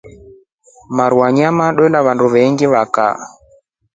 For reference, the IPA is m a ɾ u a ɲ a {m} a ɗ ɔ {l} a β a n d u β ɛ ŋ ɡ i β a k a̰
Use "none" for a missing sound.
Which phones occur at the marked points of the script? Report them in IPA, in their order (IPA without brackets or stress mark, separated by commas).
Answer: m, l